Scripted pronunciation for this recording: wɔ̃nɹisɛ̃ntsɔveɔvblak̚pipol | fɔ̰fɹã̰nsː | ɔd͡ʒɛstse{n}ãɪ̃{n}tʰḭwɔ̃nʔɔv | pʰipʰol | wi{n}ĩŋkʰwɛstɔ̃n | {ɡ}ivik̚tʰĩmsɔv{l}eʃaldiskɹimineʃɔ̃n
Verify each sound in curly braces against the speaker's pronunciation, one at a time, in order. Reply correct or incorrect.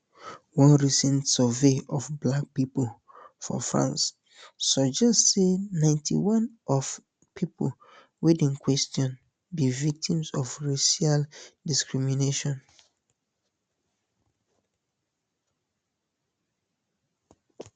correct, correct, incorrect, incorrect, incorrect

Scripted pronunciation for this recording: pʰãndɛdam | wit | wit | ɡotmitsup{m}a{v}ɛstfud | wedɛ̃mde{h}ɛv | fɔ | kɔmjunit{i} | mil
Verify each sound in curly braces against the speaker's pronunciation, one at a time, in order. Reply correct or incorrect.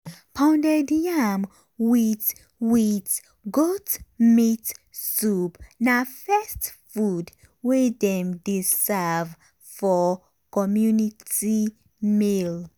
incorrect, incorrect, incorrect, correct

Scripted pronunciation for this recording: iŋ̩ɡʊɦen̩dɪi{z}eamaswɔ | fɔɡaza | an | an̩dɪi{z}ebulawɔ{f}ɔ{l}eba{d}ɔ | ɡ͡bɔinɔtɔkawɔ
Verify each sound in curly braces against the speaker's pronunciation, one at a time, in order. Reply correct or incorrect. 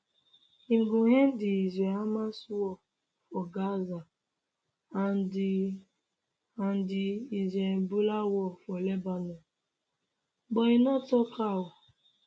correct, correct, correct, correct, incorrect

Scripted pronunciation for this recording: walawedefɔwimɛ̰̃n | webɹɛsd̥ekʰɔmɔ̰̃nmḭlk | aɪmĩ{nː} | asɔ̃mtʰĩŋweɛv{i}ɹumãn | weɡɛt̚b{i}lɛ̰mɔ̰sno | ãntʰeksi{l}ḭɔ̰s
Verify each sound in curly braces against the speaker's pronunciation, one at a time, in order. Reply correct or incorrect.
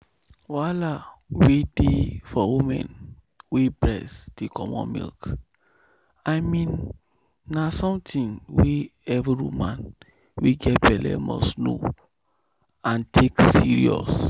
correct, correct, incorrect, incorrect

